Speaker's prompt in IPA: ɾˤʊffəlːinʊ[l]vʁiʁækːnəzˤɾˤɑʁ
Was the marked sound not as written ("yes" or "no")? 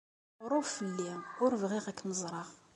yes